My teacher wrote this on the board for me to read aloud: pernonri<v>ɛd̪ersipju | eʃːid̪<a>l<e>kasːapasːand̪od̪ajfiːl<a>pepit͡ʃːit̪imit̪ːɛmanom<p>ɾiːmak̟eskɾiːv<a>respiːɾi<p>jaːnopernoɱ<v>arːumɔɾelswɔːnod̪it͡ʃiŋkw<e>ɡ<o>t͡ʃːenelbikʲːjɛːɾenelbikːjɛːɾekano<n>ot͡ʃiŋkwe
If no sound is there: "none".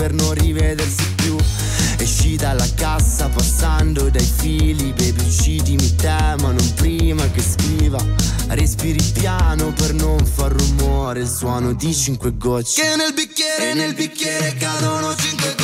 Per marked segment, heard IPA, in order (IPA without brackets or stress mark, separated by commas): v, a, a, i, p, a, p, f, e, ɔ, n